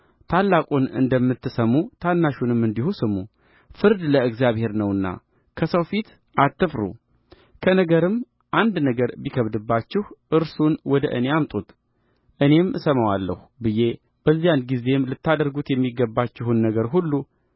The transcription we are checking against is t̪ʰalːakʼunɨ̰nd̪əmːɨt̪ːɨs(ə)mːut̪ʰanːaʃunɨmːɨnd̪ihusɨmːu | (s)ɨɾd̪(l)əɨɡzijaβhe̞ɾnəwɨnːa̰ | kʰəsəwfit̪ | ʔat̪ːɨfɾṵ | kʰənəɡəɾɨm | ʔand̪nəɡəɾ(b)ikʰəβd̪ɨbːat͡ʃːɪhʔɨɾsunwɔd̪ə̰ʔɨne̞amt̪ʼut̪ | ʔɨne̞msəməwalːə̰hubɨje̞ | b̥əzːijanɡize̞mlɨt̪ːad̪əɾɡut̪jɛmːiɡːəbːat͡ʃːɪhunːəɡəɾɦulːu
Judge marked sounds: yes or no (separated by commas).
yes, no, yes, yes